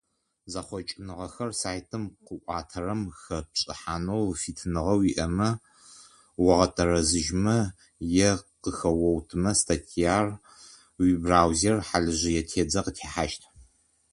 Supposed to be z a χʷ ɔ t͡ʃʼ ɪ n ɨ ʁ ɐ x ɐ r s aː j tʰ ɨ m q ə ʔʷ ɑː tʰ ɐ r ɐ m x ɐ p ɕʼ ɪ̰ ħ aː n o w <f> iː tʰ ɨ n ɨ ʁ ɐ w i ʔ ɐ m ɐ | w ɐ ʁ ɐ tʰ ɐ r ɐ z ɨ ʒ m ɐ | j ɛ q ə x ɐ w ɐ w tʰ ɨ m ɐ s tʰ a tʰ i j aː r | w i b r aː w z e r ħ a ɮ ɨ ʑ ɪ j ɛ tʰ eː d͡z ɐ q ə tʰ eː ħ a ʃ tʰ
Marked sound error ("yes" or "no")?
no